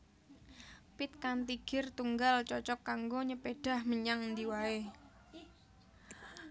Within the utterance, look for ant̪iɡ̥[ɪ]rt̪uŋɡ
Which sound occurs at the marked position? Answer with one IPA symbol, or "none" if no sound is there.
ɪ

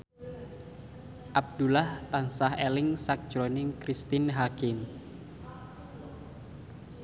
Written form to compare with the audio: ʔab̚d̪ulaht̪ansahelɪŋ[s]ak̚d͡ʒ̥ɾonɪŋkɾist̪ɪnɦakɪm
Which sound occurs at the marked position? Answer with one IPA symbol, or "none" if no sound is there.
s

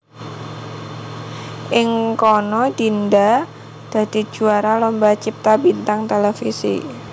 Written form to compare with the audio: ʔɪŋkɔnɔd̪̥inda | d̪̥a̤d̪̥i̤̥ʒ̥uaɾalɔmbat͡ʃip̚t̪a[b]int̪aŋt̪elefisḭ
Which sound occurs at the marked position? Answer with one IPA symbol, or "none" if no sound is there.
b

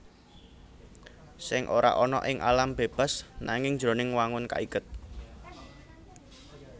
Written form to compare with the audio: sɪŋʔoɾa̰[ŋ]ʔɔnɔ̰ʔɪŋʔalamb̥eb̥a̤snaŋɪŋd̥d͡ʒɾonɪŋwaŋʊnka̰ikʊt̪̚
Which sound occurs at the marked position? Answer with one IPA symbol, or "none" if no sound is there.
none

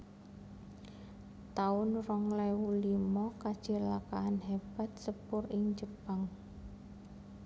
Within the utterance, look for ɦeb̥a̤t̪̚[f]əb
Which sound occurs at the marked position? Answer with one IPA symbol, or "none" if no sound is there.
s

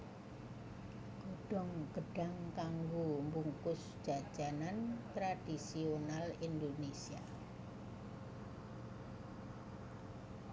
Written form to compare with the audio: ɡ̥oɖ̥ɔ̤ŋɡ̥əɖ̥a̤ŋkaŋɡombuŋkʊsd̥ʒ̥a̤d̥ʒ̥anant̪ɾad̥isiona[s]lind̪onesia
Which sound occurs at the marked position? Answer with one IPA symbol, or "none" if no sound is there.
none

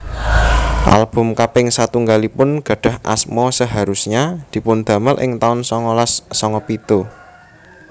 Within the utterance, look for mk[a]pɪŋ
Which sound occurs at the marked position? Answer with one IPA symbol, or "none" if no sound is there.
a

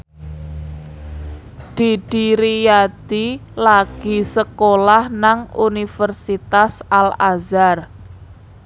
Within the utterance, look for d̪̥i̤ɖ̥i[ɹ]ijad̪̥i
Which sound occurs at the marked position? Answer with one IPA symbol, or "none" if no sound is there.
ɾ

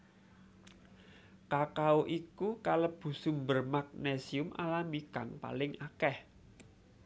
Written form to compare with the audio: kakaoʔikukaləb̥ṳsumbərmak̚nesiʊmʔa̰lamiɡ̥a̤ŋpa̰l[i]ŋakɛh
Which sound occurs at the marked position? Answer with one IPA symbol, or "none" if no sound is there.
ɪ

